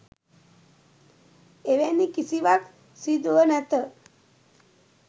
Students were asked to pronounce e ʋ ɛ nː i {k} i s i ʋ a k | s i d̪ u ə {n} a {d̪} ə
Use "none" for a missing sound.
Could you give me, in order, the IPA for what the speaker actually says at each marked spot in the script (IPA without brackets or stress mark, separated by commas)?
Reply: k, n, t̪